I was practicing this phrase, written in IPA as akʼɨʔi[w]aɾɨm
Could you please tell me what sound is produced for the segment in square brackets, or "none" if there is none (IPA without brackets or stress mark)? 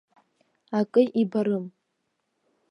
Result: b